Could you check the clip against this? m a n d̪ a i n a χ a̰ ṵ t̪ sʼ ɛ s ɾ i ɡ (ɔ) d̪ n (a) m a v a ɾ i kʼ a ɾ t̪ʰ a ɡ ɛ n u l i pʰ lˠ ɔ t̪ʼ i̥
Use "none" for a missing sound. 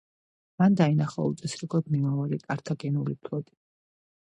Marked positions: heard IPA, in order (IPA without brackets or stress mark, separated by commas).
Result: ɔ, i